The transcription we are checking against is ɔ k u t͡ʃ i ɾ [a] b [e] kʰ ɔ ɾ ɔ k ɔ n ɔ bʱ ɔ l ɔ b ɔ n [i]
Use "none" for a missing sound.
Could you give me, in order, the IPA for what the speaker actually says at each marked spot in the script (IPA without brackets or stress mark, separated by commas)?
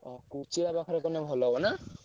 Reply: a, a, a